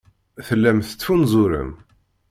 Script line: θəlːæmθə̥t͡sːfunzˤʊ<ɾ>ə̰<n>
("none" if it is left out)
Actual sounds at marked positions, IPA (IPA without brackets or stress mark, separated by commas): ɾ, m